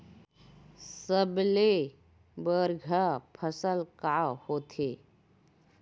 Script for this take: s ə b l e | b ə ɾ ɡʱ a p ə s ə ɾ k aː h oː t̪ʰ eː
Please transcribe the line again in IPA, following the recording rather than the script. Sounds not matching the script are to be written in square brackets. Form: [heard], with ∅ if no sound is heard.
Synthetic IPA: s ə b l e | b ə ɾ ɡʱ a [pʰ] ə s ə [l] k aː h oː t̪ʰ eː